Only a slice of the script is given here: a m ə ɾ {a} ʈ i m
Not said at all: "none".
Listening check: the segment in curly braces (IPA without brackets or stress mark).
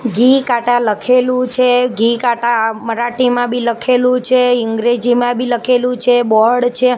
a